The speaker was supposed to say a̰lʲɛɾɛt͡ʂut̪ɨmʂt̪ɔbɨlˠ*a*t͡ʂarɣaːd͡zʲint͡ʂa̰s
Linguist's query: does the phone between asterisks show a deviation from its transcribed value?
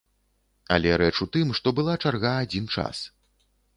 no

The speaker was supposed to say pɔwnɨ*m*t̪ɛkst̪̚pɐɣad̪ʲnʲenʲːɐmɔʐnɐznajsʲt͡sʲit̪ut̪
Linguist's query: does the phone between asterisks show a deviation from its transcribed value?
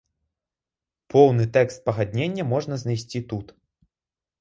yes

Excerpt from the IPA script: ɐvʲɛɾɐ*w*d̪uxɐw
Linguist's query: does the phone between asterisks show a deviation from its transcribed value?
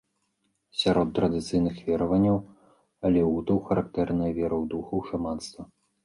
no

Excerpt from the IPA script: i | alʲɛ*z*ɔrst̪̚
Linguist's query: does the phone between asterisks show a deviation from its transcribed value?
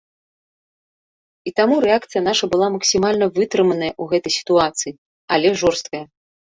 yes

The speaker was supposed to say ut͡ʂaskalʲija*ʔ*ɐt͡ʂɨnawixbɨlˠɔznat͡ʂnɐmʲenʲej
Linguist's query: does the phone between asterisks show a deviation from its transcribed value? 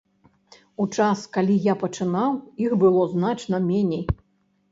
yes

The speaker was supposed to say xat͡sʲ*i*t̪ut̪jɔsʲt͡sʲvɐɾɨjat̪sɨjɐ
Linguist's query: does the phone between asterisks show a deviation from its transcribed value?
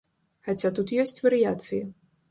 yes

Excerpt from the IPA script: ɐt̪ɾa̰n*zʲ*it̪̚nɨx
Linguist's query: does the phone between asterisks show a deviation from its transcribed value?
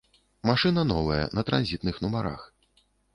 no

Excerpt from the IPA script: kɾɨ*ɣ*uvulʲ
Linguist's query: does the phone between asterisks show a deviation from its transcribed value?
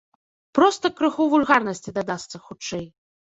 yes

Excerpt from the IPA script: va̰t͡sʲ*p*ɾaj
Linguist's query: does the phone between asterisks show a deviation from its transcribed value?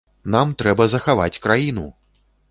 yes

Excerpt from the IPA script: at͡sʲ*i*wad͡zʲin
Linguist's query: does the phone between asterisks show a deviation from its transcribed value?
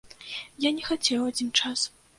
yes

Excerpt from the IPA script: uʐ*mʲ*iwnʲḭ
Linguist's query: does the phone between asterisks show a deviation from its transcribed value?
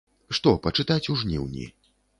yes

